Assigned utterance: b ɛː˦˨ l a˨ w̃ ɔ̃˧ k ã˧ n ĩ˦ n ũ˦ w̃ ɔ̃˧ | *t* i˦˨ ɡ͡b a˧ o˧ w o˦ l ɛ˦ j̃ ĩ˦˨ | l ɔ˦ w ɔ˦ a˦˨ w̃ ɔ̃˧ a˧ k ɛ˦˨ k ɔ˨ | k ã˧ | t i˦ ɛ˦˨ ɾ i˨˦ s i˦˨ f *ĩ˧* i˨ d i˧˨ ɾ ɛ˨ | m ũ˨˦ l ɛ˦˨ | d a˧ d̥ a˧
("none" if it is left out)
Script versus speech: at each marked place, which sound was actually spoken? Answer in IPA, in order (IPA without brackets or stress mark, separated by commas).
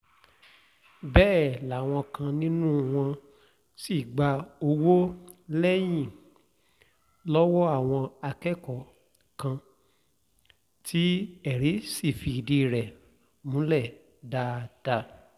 s, i˧